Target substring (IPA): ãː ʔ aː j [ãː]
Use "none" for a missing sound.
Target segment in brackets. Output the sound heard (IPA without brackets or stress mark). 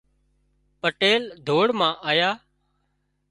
aː